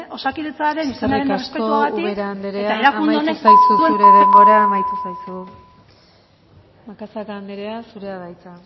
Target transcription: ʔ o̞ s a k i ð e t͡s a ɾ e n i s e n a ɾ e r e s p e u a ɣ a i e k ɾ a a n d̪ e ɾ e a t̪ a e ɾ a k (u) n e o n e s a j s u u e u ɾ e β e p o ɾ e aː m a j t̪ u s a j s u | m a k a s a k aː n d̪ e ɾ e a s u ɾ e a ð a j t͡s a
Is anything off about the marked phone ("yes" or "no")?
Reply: no